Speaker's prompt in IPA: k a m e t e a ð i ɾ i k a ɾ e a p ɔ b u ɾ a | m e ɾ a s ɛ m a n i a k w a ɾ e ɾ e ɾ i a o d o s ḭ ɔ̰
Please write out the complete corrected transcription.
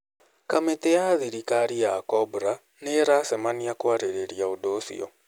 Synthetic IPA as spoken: k a m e t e a ð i ɾ i k a ɾ i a k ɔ b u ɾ a | n e ɾ a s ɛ m a n i a k w a ɾ e ɾ e ɾ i a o d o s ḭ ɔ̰